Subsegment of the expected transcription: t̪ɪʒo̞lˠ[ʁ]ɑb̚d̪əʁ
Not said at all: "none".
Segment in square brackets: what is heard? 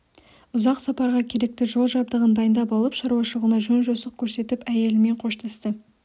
ʒ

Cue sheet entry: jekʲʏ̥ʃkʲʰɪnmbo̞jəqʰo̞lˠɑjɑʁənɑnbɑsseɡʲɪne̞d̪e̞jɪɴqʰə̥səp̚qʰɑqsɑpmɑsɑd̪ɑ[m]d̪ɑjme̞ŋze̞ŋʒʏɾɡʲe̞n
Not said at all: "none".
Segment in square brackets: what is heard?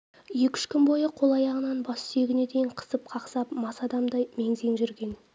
m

